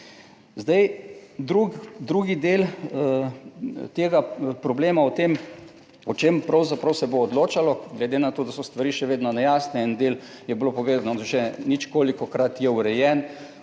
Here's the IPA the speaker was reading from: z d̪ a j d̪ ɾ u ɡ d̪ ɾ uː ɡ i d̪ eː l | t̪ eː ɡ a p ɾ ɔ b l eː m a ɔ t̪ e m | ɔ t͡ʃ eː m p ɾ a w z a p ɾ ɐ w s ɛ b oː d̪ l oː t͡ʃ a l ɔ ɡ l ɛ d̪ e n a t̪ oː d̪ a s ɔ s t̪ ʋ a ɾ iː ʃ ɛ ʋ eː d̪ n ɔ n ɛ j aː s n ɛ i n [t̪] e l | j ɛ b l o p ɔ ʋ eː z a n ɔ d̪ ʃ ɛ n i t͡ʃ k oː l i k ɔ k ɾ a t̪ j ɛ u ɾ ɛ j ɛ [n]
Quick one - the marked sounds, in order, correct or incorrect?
incorrect, correct

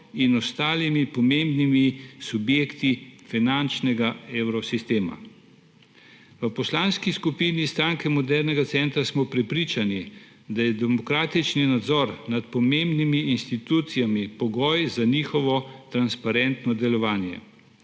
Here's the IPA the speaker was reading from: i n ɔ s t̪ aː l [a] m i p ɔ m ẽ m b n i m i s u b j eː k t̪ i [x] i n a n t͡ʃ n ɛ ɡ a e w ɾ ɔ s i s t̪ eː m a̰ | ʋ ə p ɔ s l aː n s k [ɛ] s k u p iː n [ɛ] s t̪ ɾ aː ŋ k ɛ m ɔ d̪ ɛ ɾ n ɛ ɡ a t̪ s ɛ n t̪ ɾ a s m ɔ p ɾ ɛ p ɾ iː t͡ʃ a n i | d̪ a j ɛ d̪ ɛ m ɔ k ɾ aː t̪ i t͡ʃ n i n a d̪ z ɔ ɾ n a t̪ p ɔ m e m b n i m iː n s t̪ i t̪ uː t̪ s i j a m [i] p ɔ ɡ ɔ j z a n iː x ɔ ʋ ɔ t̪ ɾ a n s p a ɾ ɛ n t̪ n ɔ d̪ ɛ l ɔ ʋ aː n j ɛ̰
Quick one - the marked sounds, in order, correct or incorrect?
incorrect, incorrect, incorrect, incorrect, correct

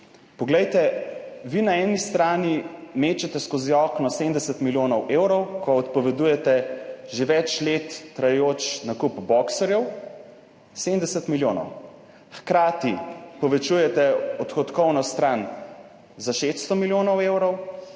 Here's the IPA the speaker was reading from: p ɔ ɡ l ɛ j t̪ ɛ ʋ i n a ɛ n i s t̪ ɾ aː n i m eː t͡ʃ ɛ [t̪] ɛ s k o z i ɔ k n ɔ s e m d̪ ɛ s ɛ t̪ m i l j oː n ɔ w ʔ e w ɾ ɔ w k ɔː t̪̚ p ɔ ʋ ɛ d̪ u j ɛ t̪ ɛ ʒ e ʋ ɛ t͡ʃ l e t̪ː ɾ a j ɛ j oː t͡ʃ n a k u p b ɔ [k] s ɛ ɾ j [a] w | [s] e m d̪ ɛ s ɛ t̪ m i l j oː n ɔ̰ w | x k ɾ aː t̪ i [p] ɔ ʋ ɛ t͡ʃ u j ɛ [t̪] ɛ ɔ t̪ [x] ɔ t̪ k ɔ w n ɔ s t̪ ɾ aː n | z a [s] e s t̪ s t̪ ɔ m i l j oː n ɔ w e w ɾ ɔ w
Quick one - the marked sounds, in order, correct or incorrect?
correct, correct, incorrect, correct, correct, correct, correct, incorrect

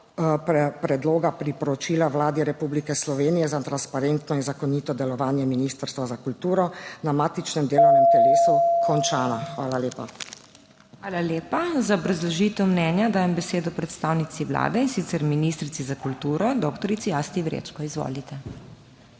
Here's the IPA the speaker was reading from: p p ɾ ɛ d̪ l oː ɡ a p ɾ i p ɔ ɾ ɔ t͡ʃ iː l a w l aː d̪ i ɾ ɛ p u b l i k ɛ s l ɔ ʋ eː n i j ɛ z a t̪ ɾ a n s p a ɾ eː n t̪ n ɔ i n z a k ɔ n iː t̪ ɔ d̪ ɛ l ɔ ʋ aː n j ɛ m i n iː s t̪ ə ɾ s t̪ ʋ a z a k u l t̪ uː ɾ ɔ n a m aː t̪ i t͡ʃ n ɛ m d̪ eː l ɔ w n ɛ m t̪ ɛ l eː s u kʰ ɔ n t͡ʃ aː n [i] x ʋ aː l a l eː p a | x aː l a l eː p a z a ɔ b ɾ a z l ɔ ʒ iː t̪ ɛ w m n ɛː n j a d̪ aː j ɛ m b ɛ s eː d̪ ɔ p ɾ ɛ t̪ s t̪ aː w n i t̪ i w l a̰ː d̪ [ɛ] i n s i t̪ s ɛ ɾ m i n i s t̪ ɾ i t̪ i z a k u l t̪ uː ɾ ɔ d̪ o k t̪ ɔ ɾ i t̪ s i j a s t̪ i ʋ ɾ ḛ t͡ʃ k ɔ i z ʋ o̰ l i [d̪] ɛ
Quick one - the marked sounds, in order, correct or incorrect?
incorrect, correct, incorrect

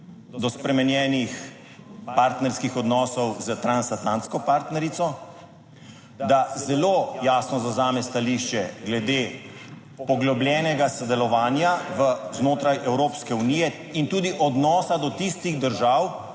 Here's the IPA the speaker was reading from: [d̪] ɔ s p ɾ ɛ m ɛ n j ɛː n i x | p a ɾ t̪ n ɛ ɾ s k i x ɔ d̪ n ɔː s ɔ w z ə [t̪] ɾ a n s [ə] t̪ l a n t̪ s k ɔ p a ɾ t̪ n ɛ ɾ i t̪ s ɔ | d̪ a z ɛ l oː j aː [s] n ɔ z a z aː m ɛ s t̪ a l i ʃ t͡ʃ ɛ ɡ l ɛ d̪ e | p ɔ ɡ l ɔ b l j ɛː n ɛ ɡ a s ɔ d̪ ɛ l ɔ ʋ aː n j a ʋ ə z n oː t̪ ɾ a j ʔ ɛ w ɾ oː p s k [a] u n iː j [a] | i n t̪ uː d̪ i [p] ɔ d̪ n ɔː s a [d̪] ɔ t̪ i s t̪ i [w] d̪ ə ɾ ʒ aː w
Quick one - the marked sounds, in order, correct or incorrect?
correct, correct, incorrect, correct, incorrect, incorrect, incorrect, correct, incorrect

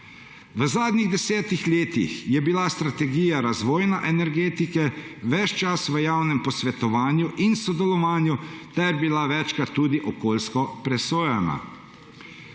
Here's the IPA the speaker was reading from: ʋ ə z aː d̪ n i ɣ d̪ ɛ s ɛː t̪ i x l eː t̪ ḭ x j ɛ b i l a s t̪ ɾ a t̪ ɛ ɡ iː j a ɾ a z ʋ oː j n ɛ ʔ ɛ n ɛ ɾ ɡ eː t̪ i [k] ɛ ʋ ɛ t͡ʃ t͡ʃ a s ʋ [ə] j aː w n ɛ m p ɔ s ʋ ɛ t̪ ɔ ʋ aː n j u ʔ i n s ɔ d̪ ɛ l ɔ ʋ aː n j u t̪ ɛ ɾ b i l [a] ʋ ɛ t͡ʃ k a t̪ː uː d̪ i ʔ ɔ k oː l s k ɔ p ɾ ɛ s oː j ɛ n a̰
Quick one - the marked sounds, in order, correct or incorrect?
correct, correct, correct

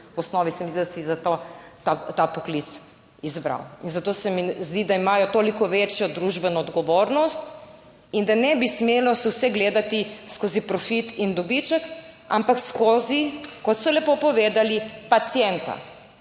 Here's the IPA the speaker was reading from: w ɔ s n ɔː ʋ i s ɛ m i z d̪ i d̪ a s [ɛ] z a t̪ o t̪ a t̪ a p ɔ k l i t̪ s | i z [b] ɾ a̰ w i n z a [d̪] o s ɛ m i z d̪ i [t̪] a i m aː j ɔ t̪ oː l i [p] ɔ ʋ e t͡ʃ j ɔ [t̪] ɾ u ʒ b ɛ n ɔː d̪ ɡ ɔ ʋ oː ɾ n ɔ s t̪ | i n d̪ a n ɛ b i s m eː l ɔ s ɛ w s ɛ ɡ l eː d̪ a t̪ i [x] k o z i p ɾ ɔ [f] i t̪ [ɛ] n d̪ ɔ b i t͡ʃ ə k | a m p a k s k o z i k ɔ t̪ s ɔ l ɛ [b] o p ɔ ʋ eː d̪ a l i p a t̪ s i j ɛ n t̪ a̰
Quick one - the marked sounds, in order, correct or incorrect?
incorrect, correct, incorrect, incorrect, incorrect, incorrect, incorrect, correct, incorrect, incorrect

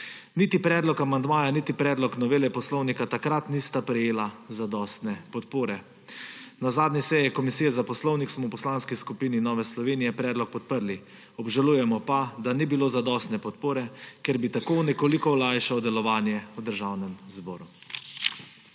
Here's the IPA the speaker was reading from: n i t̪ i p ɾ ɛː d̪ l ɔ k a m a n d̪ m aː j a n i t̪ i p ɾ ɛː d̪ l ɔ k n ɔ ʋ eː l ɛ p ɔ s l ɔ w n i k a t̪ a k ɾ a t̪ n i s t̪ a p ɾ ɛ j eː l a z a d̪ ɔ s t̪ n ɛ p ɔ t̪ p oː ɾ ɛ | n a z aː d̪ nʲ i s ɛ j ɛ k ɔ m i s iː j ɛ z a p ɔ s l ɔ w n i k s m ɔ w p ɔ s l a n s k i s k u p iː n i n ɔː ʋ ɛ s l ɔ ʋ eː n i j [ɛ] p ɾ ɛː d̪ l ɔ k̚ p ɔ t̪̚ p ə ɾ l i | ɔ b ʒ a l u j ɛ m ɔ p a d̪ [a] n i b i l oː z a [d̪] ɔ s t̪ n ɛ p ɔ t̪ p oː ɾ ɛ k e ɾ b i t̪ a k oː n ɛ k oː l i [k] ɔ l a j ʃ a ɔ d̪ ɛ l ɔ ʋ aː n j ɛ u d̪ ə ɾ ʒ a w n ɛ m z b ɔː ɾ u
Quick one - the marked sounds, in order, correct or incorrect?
correct, correct, correct, correct

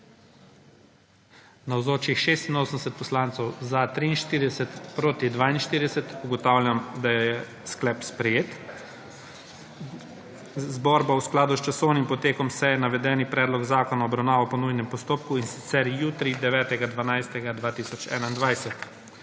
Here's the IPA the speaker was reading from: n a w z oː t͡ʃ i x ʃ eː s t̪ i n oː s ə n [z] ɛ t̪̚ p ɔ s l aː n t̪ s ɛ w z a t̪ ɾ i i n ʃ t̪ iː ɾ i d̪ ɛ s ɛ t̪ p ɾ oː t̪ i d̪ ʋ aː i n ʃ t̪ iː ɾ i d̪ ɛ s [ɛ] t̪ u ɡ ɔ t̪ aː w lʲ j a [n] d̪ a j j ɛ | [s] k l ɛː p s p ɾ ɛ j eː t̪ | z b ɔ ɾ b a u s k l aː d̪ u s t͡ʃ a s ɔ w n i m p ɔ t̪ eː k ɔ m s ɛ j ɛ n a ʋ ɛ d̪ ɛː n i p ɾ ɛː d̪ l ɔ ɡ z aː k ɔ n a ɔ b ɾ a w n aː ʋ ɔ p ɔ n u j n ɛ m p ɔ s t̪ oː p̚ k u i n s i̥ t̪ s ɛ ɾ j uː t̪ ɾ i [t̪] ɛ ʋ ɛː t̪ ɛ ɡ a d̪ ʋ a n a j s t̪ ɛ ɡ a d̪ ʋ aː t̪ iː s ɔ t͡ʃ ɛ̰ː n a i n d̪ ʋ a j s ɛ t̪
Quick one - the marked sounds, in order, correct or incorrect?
incorrect, correct, incorrect, correct, incorrect

